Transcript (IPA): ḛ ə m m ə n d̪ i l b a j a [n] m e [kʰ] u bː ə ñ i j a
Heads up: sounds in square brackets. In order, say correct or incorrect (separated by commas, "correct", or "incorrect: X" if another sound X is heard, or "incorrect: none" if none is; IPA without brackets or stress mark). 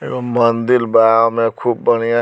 incorrect: none, correct